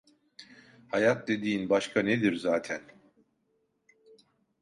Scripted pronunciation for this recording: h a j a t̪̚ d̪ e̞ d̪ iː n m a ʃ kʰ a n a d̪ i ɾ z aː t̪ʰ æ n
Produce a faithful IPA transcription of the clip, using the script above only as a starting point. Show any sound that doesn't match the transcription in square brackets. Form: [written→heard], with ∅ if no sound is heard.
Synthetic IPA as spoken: h a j a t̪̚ d̪ e̞ d̪ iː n [m→b] a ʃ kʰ a n [a→e] d̪ i ɾ z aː t̪ʰ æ n